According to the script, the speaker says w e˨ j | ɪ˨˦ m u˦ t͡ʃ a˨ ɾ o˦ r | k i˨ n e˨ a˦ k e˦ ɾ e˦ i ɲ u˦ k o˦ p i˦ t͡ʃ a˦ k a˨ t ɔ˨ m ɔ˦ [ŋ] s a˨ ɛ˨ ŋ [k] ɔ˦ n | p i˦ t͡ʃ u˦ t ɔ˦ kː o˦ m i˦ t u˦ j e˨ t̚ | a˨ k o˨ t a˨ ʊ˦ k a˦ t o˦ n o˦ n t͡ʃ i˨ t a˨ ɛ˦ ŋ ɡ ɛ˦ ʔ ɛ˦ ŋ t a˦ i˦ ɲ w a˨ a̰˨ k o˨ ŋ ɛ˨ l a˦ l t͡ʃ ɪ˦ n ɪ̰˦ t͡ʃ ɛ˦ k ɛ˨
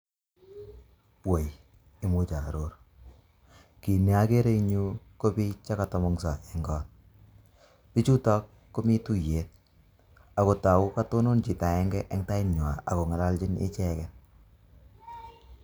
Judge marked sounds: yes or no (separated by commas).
yes, no